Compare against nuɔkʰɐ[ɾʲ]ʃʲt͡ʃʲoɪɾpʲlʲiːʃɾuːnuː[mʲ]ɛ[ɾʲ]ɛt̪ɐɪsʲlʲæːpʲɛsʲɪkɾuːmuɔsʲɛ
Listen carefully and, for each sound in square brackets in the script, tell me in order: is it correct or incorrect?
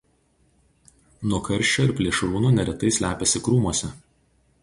correct, incorrect: nʲ, correct

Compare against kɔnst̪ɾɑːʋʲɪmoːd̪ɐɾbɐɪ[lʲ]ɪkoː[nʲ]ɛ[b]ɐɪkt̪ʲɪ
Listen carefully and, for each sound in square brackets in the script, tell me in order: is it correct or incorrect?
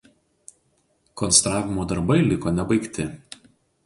correct, correct, correct

